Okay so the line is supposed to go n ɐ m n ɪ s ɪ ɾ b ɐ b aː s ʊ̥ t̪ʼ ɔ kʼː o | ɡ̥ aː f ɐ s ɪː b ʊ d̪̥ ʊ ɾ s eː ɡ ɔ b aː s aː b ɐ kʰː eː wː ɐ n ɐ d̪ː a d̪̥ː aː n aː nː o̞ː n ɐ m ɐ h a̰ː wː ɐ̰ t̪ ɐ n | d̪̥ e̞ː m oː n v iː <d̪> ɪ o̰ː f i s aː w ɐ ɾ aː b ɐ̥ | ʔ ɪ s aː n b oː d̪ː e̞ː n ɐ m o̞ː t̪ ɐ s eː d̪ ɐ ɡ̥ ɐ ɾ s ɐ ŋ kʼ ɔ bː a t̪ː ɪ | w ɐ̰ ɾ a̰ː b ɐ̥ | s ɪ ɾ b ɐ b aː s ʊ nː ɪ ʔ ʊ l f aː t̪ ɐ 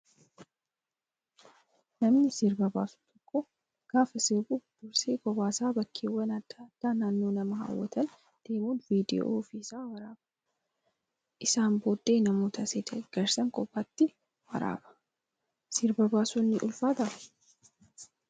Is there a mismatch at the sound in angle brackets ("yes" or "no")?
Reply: no